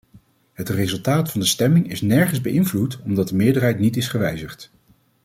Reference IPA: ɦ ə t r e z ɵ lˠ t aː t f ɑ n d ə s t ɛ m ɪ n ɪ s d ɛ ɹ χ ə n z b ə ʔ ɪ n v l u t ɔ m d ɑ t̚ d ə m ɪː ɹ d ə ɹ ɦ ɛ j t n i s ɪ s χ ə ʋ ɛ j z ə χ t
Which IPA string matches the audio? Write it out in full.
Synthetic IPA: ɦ ə t r e z ɵ lˠ t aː t f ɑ n d ə s t ɛ m ɪ ŋ ɪ s n ɛ ɹ χ ə n z b ə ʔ ɪ n v l u t ɔ m d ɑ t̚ d ə m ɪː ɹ d ə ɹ ɦ ɛ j t n i t ɪ s χ ə ʋ ɛ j z ə χ t